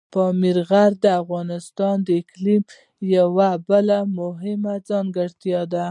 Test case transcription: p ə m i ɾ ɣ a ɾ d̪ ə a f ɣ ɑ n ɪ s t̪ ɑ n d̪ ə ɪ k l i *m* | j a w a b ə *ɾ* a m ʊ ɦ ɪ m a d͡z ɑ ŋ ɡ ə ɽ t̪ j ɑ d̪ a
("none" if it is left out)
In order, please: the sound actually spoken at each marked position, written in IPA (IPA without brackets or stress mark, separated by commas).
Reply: m, l